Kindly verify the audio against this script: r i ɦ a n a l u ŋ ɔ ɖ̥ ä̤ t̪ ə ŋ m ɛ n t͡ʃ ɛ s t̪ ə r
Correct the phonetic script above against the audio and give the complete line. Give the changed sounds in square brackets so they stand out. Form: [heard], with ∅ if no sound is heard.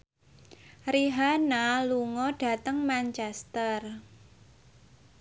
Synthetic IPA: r i ɦ a n a l u ŋ ɔ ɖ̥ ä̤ t̪ ə ŋ m [a] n t͡ʃ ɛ s t̪ ə r